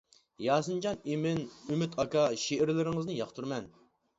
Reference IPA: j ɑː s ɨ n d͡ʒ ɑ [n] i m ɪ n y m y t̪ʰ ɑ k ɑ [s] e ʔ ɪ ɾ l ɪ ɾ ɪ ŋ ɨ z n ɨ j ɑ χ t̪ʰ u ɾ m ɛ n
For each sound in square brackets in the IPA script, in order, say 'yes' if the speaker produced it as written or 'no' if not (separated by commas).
yes, no